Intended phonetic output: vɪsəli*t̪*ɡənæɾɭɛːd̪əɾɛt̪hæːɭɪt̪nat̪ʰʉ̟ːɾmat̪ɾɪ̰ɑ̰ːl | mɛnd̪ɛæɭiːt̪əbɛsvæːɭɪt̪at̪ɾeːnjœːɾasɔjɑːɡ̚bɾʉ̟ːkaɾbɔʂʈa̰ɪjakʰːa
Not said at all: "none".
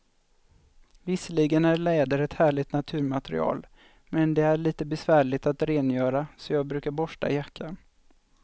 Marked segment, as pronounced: none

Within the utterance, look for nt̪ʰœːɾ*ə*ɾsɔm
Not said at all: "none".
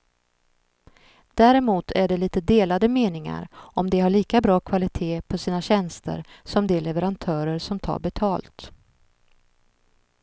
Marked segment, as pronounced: ə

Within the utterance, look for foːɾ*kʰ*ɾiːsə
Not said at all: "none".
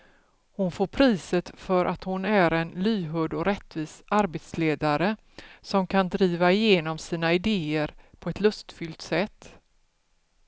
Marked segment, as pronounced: pʰ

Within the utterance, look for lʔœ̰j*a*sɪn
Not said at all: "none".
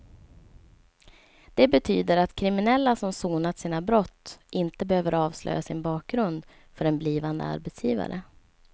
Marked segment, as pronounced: a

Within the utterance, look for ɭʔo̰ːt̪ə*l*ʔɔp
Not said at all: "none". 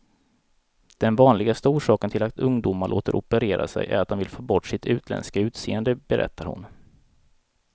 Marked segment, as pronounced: ɾ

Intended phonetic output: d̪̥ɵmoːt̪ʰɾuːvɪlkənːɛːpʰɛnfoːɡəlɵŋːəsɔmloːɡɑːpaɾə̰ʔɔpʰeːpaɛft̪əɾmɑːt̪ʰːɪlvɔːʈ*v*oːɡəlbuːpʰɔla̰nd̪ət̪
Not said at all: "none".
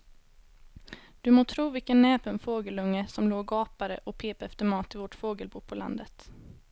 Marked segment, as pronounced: f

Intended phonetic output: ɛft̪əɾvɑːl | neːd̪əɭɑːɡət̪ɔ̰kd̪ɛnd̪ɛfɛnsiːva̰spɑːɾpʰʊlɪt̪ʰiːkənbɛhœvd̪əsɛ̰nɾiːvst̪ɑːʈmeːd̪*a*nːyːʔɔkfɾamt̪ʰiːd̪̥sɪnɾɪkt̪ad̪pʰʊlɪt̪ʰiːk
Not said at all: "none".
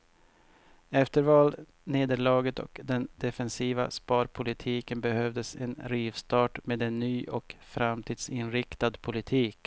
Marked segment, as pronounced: ɛ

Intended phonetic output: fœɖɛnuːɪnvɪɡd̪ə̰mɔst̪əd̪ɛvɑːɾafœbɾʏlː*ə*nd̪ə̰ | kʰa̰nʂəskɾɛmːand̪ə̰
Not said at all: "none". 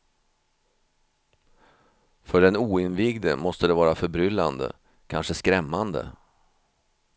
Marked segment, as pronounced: a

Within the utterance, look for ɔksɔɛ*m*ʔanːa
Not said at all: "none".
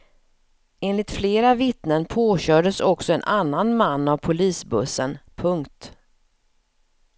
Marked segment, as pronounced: n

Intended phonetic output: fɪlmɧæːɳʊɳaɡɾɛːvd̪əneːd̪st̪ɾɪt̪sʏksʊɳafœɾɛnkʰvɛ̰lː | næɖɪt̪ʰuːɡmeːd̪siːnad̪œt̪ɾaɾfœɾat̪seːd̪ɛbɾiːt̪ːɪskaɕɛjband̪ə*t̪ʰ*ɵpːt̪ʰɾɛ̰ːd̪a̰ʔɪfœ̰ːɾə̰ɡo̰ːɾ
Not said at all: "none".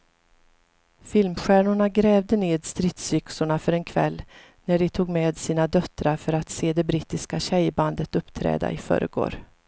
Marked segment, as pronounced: t̪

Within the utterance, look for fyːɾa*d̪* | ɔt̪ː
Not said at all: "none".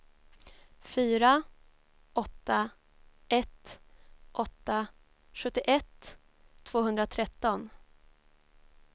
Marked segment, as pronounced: none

